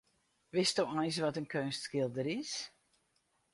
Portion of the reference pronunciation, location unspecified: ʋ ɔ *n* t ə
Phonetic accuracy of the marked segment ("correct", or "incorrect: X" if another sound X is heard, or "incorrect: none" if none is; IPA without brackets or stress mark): incorrect: none